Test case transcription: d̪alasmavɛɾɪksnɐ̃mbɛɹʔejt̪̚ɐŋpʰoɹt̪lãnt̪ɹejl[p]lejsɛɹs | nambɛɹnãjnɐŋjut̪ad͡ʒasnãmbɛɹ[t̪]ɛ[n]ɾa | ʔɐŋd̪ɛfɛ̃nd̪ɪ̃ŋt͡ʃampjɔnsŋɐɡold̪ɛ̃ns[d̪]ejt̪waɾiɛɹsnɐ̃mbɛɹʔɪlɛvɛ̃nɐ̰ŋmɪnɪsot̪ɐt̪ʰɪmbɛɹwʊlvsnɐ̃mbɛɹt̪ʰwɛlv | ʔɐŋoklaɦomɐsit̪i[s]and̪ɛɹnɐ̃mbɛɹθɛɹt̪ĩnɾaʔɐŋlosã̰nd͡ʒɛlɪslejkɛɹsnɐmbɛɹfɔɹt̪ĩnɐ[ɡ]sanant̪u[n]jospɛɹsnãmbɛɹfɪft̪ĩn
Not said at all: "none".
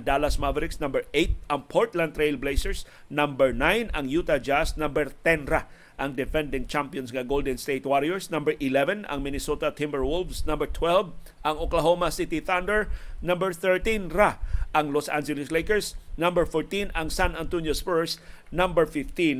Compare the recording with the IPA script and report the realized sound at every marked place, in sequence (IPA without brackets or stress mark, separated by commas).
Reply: b, t̪, n, t̪, θ, ŋ, n